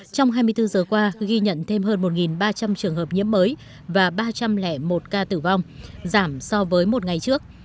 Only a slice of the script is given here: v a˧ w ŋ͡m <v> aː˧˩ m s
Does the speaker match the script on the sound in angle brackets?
no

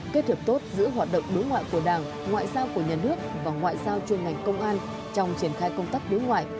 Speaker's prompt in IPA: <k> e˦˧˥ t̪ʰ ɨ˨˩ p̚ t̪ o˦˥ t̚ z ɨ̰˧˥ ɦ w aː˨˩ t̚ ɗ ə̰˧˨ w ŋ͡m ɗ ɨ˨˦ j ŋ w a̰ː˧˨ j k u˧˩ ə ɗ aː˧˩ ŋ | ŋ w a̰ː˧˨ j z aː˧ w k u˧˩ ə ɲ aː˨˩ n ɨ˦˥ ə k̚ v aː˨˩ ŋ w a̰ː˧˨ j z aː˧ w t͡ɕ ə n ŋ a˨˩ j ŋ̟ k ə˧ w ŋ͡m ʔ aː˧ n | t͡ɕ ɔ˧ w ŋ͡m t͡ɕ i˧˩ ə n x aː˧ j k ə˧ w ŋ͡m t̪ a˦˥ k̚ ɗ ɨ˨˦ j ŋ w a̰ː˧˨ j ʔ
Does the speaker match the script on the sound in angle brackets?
yes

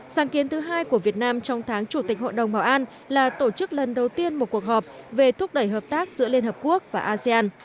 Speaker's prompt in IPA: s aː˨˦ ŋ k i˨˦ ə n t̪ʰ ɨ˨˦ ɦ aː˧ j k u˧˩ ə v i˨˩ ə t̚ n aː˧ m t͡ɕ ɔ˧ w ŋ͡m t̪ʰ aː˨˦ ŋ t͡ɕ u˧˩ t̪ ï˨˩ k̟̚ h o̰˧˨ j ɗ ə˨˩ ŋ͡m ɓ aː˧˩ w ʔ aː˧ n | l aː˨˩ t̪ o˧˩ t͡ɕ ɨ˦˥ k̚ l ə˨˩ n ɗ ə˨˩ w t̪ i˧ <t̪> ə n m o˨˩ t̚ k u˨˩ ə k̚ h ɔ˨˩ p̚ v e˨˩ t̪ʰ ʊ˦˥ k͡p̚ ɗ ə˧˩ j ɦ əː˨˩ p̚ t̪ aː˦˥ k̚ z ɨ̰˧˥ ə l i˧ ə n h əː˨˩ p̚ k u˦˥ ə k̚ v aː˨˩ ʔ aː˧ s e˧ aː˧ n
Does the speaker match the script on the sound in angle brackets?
no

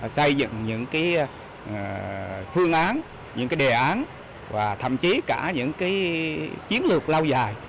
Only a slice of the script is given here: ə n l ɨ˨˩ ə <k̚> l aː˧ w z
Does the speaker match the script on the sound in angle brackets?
yes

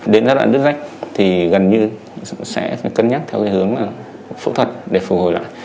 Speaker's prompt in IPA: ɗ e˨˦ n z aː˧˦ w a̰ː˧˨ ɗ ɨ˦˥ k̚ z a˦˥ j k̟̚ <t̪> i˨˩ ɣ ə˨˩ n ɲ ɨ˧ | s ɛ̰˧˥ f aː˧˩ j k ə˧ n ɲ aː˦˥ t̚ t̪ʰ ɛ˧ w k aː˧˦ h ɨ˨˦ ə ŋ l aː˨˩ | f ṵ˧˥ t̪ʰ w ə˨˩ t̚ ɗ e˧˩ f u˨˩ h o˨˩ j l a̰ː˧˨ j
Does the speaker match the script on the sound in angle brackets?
no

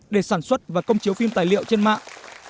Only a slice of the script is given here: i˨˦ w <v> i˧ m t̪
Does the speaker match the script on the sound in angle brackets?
no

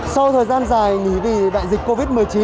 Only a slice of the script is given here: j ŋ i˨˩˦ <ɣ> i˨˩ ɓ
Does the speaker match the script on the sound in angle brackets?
no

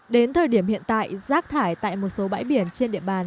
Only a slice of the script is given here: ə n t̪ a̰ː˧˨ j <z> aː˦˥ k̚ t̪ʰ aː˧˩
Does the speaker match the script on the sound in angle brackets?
yes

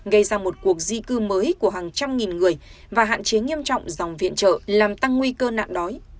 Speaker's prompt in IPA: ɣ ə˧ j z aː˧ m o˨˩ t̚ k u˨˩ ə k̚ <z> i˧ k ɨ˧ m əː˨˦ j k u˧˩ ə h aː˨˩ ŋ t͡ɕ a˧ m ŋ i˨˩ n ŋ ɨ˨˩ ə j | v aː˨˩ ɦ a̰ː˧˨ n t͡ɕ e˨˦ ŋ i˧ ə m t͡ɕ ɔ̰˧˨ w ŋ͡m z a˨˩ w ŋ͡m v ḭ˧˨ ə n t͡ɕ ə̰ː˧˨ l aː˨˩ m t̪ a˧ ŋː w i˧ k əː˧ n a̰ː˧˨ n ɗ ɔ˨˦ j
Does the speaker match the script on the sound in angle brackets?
yes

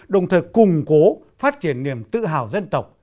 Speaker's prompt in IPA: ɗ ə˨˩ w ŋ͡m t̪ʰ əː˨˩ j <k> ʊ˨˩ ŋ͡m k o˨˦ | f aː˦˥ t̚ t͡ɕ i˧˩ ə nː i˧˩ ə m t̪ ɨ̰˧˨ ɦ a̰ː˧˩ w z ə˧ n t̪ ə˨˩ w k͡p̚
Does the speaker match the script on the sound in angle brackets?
yes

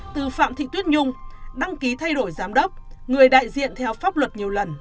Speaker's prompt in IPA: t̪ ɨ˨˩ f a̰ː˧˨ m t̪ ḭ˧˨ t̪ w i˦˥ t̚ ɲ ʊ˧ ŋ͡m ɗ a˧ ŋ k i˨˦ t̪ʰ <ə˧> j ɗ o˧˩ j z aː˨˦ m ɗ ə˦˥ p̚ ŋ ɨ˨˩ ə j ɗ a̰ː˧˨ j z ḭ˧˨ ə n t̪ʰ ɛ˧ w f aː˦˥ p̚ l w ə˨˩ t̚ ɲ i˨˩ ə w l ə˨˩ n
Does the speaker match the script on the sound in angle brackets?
no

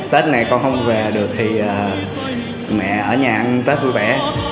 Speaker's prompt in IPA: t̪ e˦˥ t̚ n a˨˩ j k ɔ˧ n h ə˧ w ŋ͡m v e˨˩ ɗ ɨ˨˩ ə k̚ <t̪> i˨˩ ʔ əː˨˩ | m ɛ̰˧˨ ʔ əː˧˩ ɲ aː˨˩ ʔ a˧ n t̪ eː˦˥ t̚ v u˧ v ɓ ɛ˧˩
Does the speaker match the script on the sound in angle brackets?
no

